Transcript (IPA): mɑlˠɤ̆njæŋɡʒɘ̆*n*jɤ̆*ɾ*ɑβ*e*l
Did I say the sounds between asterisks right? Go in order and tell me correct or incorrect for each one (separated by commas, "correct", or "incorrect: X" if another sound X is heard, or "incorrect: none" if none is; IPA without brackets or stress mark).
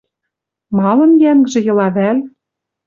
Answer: incorrect: none, incorrect: l, incorrect: æ